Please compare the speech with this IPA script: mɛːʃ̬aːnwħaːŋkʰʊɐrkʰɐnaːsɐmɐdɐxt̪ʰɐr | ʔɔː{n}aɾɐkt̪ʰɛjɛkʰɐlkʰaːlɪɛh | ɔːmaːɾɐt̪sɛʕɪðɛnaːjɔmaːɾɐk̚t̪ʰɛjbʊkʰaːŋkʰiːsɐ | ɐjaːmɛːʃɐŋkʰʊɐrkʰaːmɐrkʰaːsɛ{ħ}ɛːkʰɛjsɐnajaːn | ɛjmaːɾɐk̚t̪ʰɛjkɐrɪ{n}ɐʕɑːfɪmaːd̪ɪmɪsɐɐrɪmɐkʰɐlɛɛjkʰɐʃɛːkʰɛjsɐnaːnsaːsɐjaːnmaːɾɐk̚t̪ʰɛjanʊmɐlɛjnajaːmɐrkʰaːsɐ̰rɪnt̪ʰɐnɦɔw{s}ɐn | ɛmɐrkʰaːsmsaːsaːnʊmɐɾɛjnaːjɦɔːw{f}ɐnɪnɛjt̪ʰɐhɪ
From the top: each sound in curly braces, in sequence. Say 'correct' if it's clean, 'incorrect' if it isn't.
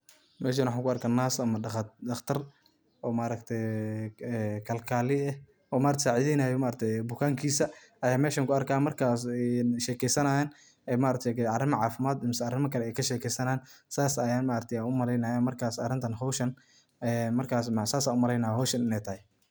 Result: incorrect: m, incorrect: ʃ, incorrect: m, incorrect: ʃ, incorrect: ʃ

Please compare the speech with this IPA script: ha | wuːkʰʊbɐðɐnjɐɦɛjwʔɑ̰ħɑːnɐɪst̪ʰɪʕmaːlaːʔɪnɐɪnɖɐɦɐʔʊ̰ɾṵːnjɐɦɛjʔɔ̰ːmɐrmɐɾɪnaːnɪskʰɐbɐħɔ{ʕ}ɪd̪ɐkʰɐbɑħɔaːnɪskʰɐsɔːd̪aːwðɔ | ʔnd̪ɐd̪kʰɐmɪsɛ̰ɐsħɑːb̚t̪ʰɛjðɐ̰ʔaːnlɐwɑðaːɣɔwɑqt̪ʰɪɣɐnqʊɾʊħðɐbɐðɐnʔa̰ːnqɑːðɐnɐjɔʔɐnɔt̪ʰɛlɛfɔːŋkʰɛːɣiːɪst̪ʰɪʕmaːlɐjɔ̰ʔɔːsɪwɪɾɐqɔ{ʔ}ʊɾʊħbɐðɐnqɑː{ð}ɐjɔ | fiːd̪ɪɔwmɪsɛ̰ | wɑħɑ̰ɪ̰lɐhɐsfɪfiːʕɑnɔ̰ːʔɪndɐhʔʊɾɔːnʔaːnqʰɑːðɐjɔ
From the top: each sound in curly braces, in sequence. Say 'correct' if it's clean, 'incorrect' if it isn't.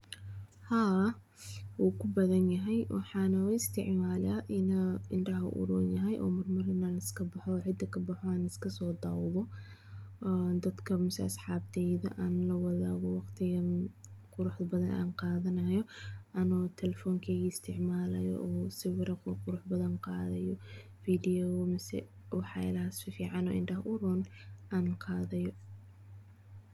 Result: correct, incorrect: q, correct

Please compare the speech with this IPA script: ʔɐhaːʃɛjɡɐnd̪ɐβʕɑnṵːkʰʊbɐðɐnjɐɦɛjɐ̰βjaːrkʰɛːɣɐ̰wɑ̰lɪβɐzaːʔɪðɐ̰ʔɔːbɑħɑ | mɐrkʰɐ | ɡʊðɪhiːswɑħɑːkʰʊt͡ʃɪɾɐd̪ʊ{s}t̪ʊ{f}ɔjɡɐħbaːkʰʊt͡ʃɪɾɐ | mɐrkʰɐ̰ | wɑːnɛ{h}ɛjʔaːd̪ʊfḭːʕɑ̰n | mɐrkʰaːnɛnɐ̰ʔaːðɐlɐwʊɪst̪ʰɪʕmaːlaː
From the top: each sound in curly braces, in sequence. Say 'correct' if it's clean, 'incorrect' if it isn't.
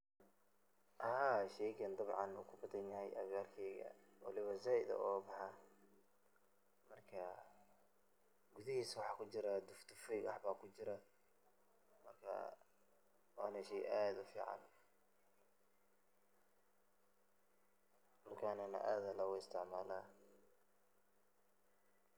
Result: incorrect: f, correct, incorrect: ʃ

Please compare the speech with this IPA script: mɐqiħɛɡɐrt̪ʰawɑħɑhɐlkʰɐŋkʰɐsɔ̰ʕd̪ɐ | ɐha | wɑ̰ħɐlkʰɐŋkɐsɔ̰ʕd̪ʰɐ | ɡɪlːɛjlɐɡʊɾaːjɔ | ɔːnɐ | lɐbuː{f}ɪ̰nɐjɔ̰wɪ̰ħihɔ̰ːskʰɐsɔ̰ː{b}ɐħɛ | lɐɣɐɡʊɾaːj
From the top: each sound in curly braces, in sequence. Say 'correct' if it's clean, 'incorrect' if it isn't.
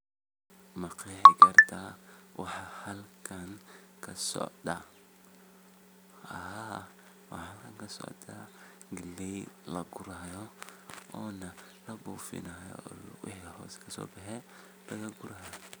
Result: correct, correct

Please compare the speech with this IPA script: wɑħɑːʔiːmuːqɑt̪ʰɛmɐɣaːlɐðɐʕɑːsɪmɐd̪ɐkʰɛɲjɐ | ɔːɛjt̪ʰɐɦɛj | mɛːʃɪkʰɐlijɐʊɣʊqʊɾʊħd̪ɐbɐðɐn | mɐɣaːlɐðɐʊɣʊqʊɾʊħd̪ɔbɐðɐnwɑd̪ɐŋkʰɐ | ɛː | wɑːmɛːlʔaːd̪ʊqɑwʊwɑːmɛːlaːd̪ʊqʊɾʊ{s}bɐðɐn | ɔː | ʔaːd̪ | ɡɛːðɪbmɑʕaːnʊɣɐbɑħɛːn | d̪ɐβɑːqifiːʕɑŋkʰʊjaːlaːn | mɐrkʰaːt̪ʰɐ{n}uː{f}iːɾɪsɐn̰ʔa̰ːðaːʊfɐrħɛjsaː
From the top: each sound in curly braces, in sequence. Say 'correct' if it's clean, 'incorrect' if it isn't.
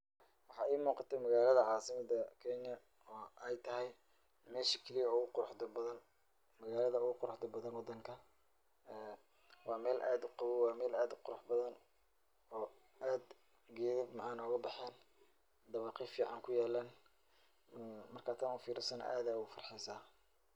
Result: incorrect: ħ, correct, correct

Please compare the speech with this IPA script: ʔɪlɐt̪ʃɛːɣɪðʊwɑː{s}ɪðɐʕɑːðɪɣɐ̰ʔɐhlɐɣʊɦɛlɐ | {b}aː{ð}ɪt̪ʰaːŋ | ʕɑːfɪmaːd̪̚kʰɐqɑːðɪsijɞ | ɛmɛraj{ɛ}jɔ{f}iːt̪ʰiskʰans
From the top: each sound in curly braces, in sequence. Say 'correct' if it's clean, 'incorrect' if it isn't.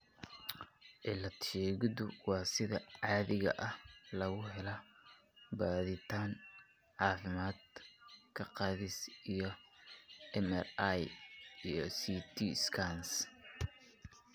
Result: correct, correct, correct, incorrect: i, incorrect: s

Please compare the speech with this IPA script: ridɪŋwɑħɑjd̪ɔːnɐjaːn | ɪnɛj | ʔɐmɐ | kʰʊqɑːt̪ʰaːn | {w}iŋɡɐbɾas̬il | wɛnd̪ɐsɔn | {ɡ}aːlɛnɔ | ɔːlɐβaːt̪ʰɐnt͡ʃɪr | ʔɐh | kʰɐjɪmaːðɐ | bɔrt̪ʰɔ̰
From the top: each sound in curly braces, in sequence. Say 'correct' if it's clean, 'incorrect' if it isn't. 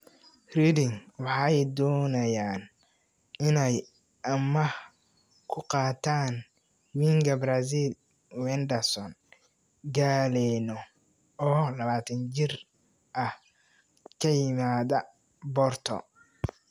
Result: correct, correct

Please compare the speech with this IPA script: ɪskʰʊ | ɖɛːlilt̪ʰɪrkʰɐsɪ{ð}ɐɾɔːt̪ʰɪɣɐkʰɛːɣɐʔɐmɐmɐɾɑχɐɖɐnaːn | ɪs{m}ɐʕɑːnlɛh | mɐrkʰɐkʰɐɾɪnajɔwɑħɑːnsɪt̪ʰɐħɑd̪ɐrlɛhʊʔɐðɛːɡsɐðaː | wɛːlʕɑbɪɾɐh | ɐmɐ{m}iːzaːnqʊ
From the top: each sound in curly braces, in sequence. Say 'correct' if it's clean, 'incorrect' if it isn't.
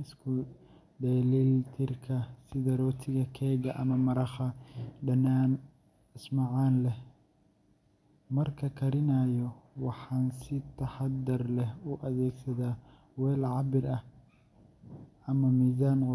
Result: correct, correct, correct

